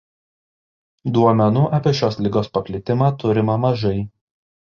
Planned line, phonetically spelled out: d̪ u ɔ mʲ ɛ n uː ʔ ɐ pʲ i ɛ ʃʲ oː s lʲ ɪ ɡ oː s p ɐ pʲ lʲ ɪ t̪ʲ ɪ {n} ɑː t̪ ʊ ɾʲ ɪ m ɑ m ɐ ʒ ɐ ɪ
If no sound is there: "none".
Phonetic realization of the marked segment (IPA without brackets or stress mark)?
m